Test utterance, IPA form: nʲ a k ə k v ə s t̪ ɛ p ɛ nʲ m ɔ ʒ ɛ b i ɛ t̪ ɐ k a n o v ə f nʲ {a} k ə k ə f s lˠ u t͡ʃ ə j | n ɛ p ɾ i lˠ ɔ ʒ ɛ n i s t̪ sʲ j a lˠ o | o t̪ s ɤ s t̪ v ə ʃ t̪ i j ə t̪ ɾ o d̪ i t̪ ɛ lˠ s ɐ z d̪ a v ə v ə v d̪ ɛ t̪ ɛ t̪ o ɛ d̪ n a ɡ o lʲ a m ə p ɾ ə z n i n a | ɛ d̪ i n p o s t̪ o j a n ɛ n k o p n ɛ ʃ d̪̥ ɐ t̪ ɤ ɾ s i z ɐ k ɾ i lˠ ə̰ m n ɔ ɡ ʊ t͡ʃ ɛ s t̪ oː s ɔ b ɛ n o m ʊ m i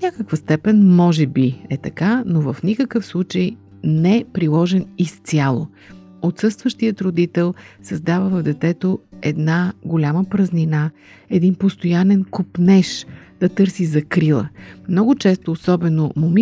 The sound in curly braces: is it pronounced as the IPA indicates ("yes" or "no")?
no